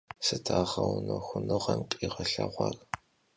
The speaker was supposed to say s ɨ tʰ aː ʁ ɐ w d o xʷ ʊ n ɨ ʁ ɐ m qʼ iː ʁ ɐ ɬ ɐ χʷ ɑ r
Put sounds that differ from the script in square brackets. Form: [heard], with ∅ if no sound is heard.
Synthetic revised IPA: s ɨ tʰ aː ʁ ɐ w [n] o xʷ ʊ n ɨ ʁ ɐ m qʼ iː ʁ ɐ ɬ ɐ [ʁʷ] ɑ r